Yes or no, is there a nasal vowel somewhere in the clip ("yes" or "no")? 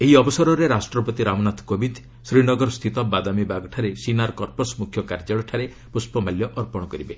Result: no